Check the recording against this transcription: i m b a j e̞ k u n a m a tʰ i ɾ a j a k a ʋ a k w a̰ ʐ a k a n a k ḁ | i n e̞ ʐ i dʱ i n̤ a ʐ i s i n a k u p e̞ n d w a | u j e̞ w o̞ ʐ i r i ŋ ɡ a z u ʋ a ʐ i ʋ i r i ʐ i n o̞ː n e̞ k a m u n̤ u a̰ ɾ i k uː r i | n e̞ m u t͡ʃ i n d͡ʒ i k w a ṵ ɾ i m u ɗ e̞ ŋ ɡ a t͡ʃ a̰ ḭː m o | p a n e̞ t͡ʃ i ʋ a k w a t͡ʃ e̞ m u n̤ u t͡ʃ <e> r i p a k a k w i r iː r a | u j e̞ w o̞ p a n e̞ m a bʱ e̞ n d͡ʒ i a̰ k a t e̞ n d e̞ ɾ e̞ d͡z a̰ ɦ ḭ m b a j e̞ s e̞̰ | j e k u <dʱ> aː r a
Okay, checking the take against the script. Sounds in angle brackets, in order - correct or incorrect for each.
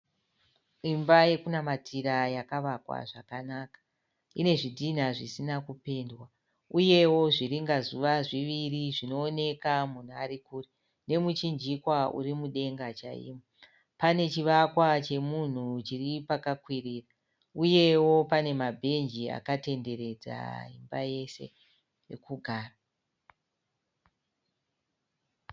incorrect, incorrect

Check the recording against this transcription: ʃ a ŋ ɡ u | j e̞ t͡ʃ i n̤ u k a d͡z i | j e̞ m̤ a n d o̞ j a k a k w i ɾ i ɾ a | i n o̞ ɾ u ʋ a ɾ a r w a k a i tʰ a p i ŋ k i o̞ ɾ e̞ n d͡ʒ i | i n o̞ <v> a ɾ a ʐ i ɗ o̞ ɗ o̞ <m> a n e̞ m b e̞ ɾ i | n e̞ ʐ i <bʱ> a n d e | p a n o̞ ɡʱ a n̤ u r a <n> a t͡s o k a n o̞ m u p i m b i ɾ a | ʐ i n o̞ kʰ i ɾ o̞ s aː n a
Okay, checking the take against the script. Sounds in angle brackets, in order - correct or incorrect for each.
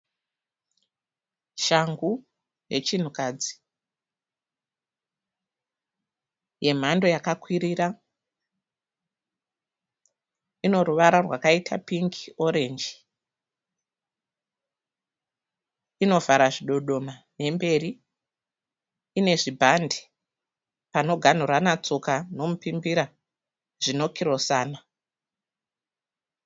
correct, correct, correct, correct

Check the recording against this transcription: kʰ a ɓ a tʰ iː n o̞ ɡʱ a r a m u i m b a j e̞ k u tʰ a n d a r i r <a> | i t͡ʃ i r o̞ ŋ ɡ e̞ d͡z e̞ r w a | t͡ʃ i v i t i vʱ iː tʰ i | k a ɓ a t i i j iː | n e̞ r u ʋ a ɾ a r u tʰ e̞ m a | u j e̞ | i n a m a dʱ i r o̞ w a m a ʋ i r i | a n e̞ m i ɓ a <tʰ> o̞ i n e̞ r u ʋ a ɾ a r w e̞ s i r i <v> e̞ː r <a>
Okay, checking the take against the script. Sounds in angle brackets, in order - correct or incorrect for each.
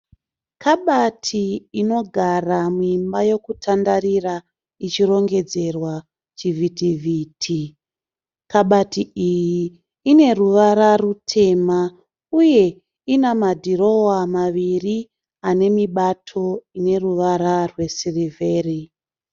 correct, correct, correct, incorrect

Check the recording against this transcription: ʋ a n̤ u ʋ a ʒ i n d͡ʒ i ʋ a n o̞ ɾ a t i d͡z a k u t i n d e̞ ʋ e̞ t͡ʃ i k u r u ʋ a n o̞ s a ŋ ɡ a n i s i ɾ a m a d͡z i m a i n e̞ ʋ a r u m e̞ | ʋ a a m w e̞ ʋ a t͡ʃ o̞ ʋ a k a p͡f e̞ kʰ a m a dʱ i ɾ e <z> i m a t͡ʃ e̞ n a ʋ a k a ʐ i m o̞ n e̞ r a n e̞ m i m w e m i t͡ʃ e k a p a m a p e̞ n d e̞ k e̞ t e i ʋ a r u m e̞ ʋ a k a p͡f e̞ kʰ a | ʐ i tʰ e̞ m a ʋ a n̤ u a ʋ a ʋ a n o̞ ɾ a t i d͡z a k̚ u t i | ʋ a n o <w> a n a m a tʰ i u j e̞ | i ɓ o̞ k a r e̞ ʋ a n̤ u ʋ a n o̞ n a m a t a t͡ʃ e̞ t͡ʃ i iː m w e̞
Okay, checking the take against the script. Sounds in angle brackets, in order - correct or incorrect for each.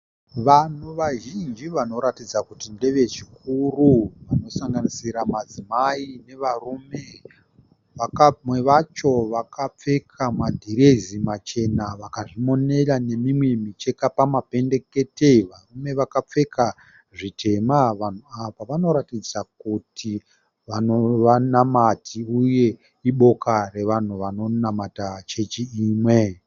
correct, incorrect

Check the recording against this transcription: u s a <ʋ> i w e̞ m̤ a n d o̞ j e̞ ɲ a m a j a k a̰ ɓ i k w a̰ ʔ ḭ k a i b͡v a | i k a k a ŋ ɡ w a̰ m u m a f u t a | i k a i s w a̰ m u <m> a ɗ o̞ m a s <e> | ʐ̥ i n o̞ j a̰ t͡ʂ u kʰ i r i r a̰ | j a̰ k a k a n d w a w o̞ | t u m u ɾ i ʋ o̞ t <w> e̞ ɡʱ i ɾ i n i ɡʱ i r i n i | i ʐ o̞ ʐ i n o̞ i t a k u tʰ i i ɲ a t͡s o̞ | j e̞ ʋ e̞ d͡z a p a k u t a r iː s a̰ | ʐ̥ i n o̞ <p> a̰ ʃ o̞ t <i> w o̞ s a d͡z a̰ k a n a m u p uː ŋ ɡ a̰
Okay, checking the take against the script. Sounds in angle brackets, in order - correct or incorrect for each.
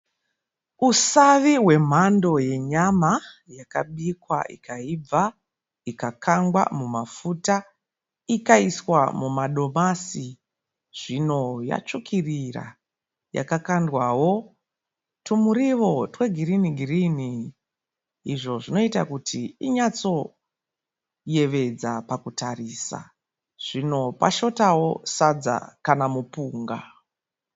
correct, correct, incorrect, correct, correct, incorrect

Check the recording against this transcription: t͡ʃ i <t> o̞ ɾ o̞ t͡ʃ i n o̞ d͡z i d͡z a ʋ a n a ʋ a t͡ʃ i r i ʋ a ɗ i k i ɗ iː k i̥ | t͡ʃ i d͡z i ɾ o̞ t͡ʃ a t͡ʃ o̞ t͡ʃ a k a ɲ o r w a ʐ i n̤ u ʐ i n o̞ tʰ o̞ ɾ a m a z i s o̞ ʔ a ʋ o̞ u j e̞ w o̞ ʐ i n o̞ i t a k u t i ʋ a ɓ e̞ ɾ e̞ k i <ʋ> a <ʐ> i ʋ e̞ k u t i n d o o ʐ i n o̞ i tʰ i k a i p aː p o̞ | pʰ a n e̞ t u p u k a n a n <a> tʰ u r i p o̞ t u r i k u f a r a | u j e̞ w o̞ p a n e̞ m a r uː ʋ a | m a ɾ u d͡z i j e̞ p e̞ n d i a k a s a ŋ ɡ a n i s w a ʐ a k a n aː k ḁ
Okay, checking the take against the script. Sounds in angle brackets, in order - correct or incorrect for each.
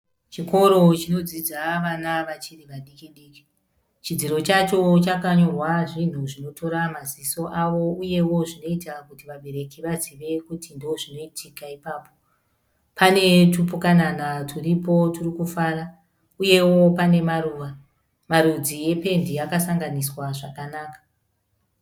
incorrect, correct, incorrect, correct

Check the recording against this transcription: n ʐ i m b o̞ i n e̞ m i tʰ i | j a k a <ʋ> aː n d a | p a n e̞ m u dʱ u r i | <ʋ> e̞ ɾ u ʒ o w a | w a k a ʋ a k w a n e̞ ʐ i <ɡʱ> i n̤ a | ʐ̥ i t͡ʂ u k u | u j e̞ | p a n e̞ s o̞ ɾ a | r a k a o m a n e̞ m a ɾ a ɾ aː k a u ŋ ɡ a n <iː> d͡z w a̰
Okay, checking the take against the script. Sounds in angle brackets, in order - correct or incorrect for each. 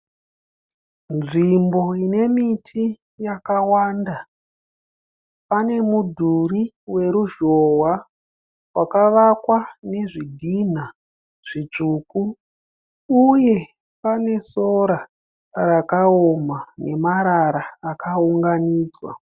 incorrect, incorrect, correct, correct

